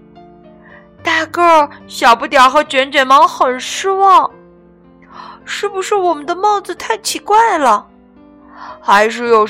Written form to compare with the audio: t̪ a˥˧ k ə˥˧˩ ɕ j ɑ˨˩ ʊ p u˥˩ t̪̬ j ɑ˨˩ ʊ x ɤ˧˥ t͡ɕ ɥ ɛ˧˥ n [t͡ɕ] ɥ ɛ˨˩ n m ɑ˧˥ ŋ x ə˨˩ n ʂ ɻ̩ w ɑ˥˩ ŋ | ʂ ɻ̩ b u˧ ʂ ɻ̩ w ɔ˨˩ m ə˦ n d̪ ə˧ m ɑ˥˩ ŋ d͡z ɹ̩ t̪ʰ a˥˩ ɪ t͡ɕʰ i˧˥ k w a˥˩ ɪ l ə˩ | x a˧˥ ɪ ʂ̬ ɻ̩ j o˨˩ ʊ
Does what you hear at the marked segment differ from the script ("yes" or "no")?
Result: no